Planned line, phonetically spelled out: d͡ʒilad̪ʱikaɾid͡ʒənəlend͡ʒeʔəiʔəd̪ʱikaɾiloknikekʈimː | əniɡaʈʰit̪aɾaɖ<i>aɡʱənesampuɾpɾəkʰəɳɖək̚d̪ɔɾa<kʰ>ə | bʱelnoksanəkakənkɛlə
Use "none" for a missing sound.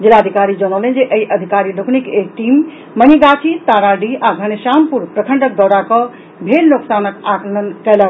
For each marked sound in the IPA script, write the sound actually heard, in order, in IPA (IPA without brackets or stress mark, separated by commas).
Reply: i, k